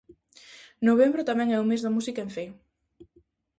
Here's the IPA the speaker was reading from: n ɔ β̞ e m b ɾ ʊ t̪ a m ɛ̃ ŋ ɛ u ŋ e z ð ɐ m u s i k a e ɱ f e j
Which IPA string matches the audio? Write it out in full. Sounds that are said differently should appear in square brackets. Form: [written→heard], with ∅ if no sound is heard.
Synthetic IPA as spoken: n [ɔ→o] β̞ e m b ɾ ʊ t̪ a m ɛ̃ ŋ ɛ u [ŋ→m] e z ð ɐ m u s i k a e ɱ f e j